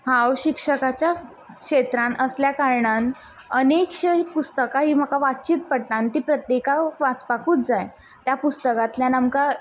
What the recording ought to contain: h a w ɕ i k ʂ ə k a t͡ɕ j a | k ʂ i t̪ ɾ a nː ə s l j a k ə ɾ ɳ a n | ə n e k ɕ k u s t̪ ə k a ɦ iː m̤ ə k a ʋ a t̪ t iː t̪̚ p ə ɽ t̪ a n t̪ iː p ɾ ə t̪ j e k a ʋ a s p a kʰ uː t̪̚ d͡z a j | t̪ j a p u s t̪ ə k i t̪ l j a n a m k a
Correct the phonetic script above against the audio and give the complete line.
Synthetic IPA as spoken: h a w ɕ i k ʂ ə k a t͡ɕ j a | k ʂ e t̪ ɾ a n ə s l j a k a ɾ ɳ a n | ə n e k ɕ p u s t̪ ə k a ɦ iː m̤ ə k a ʋ a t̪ t͡ɕ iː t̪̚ p ə ɽ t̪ a n t̪ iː p ɾ ə t̪ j e k a ʋ a t͡s p a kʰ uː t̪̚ d͡z a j | t̪ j a p u s t̪ ə k a t̪ l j a n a m k a